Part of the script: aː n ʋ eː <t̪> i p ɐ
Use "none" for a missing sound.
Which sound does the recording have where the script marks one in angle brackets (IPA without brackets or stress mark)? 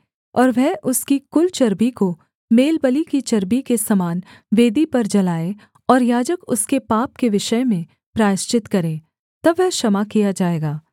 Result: d̪